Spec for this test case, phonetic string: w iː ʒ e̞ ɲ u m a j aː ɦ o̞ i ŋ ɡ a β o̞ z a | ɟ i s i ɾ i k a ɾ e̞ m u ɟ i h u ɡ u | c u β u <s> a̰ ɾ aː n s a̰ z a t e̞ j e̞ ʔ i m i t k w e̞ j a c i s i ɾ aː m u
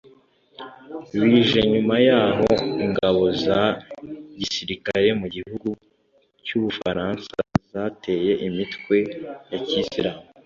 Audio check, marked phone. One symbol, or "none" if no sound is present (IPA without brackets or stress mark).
f